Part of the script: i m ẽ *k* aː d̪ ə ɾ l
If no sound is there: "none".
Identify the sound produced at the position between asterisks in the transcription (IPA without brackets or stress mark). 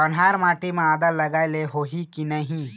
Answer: none